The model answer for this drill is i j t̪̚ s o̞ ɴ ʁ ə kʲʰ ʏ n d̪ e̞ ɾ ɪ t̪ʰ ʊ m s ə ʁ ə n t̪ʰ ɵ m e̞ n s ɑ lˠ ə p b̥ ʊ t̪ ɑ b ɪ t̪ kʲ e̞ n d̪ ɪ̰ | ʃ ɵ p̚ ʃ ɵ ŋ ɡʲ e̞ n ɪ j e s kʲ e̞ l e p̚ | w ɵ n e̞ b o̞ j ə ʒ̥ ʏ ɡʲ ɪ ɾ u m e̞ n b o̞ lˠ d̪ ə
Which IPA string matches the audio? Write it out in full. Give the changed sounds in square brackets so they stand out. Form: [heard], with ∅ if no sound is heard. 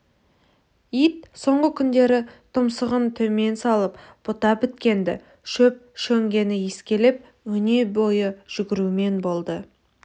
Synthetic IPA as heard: i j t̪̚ s o̞ ɴ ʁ ə kʲʰ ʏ n d̪ e̞ ɾ ɪ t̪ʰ ʊ m s ə ʁ ə n t̪ʰ ɵ m e̞ n s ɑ lˠ ə p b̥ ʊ t̪ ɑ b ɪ t̪ kʲ e̞ n d̪ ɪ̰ | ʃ ɵ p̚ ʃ ɵ ŋ ɡʲ e̞ n ɪ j e s kʲ e̞ l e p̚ | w ɵ n e̞ b o̞ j ə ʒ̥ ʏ ɡʲ ɪ ɾ u m e̞ n b o̞ lˠ d̪ ə